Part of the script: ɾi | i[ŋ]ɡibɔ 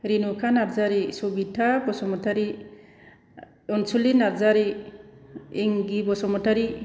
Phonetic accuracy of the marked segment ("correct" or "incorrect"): correct